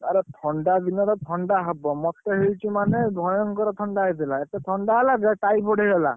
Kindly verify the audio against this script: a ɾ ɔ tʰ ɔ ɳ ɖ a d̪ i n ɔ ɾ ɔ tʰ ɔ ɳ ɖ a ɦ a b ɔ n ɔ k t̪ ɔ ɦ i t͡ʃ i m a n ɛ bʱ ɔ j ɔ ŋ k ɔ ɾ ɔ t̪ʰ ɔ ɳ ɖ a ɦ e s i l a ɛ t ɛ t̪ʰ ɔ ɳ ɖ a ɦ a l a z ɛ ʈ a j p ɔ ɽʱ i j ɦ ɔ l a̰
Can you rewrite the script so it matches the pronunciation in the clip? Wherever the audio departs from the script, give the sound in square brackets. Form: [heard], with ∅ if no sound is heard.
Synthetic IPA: a ɾ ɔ tʰ ɔ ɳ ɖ a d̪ i n ɔ ɾ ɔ tʰ ɔ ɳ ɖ a ɦ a b ɔ [m] ɔ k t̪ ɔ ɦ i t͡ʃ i m a n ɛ bʱ ɔ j ɔ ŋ k ɔ ɾ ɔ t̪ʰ ɔ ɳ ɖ a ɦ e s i l a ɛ t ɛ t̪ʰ ɔ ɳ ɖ a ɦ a l a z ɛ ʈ a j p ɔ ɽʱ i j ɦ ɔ l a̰

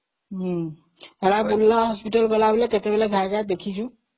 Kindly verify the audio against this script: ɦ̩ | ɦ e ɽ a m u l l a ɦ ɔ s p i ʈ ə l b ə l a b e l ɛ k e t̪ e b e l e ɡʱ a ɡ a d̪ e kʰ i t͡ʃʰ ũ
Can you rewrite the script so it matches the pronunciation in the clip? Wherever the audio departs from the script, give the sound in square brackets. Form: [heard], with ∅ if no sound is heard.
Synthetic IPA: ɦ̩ | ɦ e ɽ a [b] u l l a ɦ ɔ s p i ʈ ə l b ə l a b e l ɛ k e t̪ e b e l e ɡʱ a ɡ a d̪ e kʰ i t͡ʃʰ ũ

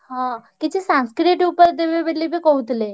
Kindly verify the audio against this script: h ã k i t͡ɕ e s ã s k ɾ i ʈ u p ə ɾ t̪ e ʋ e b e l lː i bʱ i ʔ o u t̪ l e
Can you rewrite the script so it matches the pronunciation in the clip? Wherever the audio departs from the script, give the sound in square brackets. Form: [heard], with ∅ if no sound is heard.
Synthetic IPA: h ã k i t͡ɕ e s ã s k ɾ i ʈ u p ə ɾ [d̪] e ʋ e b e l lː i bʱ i [k] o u t̪ l e

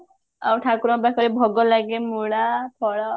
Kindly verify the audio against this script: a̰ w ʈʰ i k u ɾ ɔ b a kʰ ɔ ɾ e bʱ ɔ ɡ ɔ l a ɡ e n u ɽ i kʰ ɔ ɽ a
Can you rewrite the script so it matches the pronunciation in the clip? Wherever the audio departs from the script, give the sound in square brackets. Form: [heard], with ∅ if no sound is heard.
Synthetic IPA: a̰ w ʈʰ [a] k u ɾ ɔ b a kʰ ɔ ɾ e bʱ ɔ ɡ ɔ l a ɡ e [m] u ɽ [a] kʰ ɔ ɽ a

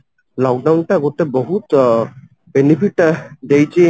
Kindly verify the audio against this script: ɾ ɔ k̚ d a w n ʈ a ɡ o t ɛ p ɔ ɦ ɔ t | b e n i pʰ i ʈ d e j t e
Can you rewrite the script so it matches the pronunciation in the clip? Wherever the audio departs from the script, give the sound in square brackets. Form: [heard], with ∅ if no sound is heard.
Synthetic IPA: [l] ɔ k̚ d a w n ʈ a ɡ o t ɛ [b] ɔ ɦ [u] t | b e n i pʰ i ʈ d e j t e

